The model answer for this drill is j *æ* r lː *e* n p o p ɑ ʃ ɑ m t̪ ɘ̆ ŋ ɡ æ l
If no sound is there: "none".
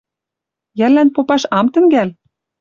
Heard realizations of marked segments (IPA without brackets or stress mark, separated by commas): æ, æ